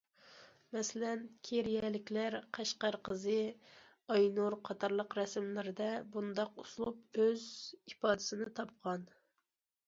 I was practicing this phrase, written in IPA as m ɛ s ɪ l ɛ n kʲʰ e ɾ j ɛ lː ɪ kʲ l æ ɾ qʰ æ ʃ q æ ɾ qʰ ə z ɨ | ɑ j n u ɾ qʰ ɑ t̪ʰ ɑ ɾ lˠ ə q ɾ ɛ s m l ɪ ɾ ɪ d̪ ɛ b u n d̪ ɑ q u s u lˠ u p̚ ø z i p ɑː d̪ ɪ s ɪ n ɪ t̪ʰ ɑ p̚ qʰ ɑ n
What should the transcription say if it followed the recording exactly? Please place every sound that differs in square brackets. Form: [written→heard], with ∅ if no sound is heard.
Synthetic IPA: m ɛ s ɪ l ɛ n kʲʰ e ɾ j ɛ [lː→l] ɪ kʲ l æ ɾ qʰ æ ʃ q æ ɾ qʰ ə z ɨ | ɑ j n u ɾ qʰ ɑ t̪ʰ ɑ ɾ lˠ ə q ɾ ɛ s m l ɪ ɾ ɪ d̪ ɛ b u n d̪ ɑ q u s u lˠ u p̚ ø z i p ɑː d̪ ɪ s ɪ n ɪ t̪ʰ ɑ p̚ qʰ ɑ n